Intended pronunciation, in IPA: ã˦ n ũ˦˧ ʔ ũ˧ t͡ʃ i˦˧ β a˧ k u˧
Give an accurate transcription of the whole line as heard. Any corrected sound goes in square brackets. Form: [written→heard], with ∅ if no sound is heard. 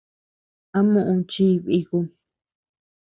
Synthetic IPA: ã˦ [n→m] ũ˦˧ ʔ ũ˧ t͡ʃ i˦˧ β [a˧→i˧] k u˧